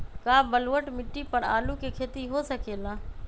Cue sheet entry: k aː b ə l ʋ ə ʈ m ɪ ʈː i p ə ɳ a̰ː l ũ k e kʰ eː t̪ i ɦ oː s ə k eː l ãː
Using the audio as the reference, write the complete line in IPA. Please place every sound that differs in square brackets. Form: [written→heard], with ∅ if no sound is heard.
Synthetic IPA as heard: k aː b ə l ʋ ə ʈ m ɪ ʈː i p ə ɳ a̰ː l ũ k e kʰ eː t̪ i ɦ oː s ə k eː l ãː